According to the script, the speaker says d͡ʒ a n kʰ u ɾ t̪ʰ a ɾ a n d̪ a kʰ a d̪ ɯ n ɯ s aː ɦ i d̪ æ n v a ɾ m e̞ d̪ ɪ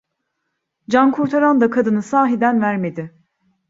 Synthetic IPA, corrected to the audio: d͡ʒ a n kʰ u ɾ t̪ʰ a ɾ a n d̪ a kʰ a d̪ ɯ n ɯ s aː ɦ i d̪ æ n v æ ɾ m e̞ d̪ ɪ